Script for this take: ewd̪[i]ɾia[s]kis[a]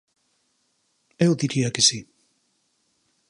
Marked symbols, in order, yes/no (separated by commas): yes, no, no